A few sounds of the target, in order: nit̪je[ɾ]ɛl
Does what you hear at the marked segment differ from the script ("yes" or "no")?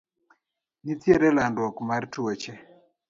no